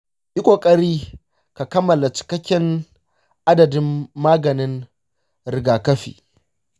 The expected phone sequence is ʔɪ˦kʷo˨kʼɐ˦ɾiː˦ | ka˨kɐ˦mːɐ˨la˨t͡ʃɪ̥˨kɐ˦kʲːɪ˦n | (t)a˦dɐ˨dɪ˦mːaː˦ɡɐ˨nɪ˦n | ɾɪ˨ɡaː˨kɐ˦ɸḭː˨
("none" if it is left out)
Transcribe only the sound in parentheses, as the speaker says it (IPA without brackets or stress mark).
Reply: ʔ